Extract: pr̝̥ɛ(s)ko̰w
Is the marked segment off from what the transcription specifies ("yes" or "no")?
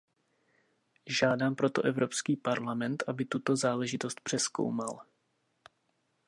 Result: no